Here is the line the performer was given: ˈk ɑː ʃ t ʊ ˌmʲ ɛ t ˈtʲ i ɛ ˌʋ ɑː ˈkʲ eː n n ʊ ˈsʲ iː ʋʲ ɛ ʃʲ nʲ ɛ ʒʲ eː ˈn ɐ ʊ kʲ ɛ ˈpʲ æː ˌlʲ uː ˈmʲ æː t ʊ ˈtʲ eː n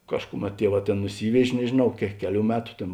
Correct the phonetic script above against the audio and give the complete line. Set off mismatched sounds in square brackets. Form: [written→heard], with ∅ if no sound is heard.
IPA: ˈk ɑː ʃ [t→k] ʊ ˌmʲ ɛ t ˈtʲ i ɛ ˌʋ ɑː [ˈkʲ→ˈtʲ] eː n n ʊ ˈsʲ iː ʋʲ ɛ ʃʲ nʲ ɛ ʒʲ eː ˈn ɐ ʊ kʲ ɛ [ˈpʲ→ˈkʲ] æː ˌlʲ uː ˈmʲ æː t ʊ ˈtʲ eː n